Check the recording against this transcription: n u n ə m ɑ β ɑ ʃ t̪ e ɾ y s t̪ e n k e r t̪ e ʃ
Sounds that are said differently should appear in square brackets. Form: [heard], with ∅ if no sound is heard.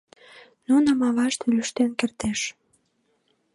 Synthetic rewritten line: n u n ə m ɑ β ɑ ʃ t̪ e [l] y [ʃ] t̪ e n k e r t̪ e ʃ